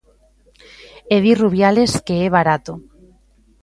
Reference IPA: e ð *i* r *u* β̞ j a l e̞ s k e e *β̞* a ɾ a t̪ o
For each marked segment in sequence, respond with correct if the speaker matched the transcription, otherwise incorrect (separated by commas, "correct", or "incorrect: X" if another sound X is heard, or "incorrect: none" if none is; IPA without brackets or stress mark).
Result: correct, correct, correct